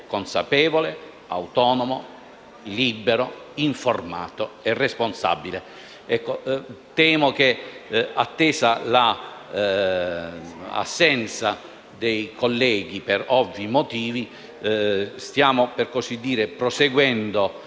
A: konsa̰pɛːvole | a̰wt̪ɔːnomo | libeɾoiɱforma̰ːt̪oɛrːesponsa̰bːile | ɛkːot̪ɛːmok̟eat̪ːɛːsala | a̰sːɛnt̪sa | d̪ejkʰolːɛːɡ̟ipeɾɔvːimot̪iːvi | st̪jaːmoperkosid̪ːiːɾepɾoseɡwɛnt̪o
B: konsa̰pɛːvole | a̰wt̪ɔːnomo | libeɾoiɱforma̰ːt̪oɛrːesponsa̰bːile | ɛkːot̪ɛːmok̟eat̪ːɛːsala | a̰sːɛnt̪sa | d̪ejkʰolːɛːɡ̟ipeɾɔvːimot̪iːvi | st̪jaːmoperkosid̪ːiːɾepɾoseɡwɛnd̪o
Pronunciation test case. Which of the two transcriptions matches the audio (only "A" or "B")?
B